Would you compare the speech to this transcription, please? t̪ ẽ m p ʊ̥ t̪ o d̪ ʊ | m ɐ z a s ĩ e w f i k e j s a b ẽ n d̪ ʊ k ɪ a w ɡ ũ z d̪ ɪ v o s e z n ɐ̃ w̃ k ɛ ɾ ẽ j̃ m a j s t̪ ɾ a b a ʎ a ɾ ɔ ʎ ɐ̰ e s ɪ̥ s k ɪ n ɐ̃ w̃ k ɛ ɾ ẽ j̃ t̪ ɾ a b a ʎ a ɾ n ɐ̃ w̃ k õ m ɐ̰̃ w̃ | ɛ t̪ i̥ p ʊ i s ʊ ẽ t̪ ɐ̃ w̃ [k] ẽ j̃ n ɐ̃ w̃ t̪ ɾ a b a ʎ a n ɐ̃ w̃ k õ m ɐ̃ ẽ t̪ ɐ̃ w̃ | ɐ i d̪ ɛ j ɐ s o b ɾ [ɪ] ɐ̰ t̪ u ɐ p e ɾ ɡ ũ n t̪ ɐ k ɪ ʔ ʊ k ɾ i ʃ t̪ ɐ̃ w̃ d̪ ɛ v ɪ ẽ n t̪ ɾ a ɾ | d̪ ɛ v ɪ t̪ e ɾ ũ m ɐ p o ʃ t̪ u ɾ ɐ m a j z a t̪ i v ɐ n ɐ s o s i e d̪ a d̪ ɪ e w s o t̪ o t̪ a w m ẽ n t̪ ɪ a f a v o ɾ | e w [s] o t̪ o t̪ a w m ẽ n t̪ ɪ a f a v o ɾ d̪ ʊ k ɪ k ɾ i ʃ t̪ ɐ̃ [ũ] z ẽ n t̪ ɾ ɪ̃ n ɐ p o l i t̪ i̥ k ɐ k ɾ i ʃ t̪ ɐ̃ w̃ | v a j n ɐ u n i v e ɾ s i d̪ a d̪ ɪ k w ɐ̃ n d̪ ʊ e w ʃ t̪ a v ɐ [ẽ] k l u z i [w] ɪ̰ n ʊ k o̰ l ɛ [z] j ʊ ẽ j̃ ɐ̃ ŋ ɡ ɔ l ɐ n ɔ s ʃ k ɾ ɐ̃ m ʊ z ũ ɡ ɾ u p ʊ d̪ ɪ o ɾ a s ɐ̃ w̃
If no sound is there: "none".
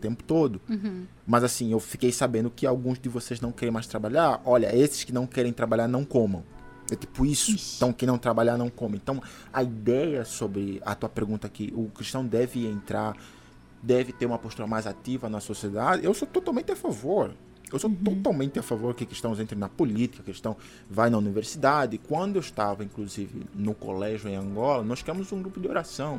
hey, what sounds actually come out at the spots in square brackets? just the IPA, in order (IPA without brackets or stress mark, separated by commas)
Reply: k, ɪ, s, w̃, ĩ, v, ʒ